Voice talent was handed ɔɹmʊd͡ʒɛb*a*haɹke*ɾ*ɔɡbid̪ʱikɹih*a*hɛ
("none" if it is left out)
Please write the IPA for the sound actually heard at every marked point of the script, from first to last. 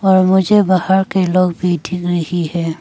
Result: a, l, i

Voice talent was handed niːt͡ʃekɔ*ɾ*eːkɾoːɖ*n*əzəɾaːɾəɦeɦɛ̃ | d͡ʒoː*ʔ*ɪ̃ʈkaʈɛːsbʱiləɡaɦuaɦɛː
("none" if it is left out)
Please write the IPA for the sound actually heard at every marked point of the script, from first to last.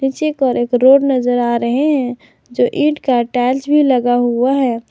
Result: ɾ, n, ʔ

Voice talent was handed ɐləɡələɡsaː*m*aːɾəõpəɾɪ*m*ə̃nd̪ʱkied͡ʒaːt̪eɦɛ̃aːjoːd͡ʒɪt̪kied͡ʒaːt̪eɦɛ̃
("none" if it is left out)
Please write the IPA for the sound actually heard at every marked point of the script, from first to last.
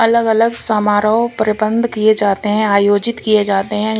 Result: m, b

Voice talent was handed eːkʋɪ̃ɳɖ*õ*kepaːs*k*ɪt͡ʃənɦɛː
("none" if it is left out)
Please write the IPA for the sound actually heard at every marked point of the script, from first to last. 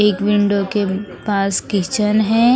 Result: o, k

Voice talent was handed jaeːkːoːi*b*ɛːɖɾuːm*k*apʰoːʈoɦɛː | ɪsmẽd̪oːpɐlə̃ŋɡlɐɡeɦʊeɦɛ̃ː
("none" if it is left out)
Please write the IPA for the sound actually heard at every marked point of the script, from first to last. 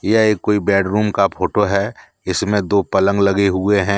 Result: b, k

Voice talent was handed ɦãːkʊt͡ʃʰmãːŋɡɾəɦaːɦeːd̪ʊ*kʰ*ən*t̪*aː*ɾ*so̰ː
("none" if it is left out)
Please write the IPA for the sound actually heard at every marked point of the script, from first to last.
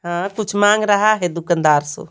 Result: k, d̪, ɾ

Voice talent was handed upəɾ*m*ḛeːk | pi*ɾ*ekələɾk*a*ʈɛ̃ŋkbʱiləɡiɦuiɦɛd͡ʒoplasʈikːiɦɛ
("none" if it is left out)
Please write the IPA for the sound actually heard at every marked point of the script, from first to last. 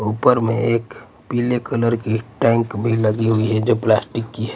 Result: m, l, i

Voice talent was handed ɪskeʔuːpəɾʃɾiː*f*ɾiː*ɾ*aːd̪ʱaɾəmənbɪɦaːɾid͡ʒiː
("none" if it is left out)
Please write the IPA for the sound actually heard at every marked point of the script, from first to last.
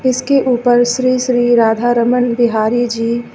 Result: ʃ, ɾ

